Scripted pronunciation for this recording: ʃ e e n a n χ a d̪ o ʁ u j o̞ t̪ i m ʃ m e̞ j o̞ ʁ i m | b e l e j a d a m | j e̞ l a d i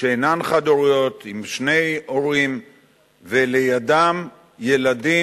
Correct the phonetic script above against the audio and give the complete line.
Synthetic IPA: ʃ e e n a n χ a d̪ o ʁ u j o̞ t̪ i m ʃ n e̞ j o̞ ʁ i m | v e l e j a d a m | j e̞ l a d i

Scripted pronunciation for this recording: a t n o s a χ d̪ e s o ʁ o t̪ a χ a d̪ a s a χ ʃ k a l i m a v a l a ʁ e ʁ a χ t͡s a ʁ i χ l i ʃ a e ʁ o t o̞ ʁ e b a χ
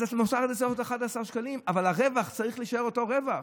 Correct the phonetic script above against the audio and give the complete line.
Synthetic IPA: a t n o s a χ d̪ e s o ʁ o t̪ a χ a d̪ a s a ʁ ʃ k a l i m a v a l a ʁ e v a χ t͡s a ʁ i χ l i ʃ a e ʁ o t o̞ ʁ e v a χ

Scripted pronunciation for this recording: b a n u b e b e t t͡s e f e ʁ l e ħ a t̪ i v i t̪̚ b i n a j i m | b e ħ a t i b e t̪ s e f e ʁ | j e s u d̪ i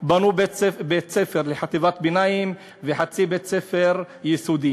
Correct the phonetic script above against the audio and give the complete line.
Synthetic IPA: b a n u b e b e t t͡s e f e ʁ l e ħ a t̪ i v a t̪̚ b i n a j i m | v e ħ a t͡s i b e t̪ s e f e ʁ | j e s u d̪ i

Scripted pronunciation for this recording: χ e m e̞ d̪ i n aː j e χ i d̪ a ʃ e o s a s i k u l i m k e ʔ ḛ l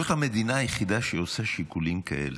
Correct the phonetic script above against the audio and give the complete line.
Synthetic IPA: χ a m e̞ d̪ i n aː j e χ i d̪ a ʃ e o s a ʃ i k u l i m k a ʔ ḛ l

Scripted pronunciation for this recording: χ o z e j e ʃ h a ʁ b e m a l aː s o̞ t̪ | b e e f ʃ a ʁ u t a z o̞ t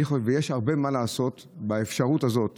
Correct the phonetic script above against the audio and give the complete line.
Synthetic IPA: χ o v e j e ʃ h a ʁ b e m a l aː s o̞ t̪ | b a e f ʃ a ʁ u t a z o̞ t

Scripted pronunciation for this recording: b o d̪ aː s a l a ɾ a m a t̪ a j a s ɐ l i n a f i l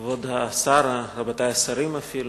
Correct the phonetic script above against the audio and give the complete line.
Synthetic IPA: v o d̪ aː s a ɾ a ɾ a b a t̪ a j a s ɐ ɾ i m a f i l

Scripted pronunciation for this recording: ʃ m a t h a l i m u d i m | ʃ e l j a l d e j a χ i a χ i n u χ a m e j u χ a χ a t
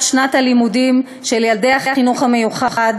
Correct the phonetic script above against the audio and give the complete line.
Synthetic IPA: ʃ n a t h a l i m u d i m | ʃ e l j a l d e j a χ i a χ i n u χ a m e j u χ a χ a d

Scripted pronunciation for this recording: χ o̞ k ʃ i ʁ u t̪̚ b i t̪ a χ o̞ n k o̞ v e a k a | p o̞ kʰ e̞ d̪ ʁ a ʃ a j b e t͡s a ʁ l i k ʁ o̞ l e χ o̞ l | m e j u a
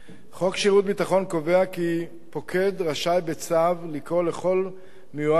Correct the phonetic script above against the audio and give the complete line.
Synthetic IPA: χ o̞ k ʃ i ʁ u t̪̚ b i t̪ a χ o̞ n k o̞ v e a k i | p o̞ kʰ e̞ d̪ ʁ a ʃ a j b e t͡s a v l i k ʁ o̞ l e χ o̞ l | m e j u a

